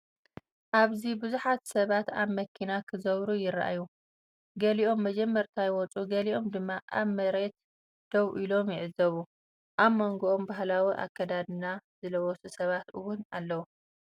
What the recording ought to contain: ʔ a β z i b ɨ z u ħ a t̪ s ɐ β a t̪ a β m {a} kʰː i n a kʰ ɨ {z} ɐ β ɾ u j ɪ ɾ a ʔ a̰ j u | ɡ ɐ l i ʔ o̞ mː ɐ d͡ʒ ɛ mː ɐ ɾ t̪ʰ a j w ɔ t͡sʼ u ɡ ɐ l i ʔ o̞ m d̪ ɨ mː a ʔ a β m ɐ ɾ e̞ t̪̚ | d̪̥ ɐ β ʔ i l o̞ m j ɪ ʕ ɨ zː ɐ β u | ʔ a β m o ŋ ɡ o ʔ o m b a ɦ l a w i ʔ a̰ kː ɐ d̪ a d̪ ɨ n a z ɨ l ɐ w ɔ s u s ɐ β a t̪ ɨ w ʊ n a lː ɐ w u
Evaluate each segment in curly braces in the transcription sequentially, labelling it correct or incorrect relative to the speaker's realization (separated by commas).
incorrect, correct